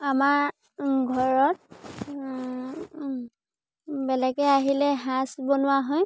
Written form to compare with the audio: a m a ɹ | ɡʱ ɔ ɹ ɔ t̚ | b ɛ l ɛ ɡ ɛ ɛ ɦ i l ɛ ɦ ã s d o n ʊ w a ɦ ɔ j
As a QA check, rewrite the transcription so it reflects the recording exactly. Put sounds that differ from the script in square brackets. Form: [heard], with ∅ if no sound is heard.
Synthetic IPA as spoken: a m a ɹ | ɡʱ ɔ ɹ ɔ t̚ | b ɛ l ɛ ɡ ɛ [a] ɦ i l ɛ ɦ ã s [b] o n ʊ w a ɦ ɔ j